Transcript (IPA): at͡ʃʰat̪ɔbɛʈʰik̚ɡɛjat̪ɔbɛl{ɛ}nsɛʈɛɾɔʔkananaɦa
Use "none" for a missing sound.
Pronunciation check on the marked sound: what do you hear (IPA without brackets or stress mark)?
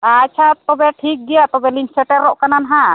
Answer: i